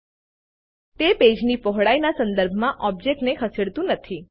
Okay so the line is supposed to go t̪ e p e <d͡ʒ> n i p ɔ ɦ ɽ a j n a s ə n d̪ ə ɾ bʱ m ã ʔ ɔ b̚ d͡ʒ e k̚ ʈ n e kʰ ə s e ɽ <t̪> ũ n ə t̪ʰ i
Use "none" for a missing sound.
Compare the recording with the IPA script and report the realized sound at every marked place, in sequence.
d͡ʒ, t̪

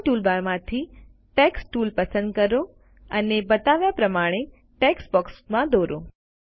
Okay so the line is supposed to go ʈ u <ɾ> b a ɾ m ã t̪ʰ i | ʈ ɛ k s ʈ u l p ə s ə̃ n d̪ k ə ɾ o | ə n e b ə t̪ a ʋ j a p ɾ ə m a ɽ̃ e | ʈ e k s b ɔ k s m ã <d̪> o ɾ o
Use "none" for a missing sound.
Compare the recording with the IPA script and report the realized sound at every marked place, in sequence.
l, d̪

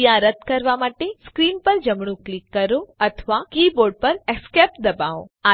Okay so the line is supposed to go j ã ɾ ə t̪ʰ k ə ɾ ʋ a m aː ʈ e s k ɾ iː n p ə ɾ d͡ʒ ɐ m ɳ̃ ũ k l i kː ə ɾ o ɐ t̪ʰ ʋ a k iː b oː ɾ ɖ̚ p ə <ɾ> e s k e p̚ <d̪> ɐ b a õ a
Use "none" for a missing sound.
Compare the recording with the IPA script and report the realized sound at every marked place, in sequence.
ɾ, d̪

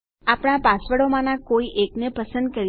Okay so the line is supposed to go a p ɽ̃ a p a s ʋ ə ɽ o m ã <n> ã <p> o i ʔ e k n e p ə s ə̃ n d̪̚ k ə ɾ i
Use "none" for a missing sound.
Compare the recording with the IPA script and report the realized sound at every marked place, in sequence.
n, k

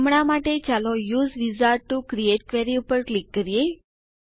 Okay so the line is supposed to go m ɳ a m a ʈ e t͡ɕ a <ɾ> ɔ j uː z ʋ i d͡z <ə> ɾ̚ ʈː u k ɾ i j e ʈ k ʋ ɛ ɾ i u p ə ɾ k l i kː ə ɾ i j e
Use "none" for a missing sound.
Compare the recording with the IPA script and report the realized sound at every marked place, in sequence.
l, a

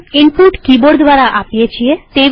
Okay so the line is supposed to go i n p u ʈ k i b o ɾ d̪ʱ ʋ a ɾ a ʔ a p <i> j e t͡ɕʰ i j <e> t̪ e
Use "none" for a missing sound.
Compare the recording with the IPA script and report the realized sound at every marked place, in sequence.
i, e

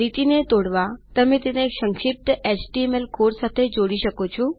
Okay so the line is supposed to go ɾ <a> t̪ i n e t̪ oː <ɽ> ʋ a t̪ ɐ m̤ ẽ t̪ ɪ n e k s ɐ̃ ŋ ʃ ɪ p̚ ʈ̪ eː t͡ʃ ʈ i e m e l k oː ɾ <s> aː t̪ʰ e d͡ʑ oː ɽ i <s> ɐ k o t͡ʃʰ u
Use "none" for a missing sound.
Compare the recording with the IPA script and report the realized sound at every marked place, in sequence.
i, ɽ, s, ʃ

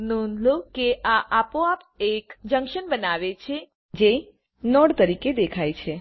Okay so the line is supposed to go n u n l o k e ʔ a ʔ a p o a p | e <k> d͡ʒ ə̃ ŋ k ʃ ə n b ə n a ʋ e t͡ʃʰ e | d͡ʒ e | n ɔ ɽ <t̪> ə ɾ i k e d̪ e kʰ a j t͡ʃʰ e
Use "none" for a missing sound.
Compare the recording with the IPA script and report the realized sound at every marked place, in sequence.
k, t̪

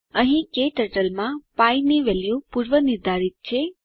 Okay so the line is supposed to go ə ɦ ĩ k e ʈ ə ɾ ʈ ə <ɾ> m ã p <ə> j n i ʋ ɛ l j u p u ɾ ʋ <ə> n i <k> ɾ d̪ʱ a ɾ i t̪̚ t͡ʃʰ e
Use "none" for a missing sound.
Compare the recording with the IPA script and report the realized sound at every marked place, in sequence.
l, a, ə, none

